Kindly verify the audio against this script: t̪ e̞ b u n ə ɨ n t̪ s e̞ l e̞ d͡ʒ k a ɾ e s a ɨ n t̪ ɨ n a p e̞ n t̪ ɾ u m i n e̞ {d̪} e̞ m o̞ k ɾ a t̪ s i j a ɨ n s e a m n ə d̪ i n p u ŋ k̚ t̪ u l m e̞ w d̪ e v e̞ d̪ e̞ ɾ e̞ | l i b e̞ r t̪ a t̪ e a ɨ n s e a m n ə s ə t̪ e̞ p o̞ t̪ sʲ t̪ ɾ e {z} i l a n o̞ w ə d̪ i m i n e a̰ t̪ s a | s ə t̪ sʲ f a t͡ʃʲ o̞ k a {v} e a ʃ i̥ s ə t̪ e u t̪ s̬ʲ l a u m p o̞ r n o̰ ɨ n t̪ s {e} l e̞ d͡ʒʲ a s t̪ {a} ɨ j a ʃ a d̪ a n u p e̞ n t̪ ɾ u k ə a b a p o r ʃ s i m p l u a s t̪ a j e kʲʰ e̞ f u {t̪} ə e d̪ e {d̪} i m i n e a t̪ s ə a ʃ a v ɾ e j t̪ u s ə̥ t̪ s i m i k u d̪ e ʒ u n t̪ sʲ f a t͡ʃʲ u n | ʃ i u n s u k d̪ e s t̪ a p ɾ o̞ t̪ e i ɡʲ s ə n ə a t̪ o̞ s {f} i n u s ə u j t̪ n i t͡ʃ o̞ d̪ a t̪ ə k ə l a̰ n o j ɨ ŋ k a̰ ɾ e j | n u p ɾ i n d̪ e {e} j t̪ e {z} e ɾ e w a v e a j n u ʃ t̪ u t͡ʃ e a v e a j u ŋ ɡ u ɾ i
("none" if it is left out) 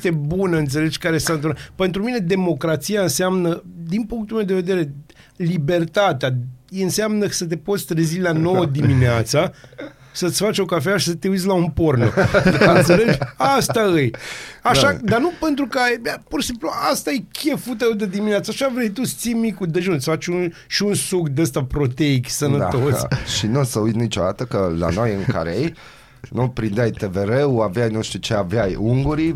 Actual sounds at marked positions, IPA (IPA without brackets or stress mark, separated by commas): d̪, z, f, e, a, t̪, d̪, ʃ, a, v